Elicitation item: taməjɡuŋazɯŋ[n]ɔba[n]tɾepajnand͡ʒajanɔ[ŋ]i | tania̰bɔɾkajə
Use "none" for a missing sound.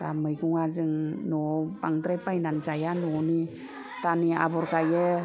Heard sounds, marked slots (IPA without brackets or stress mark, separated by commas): n, ŋ, n